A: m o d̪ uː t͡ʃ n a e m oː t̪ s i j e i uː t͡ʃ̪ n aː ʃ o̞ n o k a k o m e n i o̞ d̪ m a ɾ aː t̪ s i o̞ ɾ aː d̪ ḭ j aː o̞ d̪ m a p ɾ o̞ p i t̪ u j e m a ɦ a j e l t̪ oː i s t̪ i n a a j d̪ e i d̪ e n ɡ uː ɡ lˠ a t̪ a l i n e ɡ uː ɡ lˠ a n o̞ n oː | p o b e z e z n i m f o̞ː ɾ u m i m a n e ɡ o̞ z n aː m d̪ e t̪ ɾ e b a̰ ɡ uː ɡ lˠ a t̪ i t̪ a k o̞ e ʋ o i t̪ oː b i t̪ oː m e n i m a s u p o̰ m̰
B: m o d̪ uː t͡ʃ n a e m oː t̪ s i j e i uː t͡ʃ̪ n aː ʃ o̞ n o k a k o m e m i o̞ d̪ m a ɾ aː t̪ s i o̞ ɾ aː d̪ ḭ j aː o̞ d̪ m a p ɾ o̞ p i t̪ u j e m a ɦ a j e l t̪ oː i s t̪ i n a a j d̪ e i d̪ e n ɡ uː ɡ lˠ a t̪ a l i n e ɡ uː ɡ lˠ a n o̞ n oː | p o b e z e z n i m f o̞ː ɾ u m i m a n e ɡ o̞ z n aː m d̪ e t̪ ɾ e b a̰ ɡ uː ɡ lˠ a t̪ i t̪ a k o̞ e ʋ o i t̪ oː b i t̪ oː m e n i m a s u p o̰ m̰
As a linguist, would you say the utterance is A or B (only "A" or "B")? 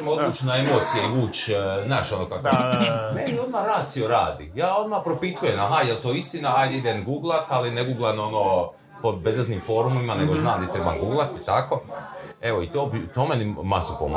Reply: A